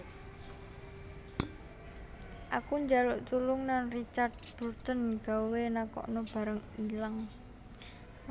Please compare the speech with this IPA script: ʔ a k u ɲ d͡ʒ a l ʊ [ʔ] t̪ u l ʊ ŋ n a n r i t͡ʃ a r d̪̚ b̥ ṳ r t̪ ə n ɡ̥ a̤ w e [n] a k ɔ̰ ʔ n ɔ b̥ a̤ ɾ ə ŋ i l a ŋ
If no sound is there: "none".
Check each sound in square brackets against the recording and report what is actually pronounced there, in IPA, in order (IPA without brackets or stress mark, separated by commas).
ʔ, n